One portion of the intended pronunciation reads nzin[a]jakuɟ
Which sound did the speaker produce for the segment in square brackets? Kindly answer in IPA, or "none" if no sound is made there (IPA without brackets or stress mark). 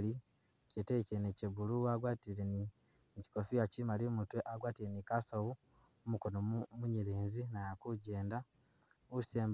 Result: a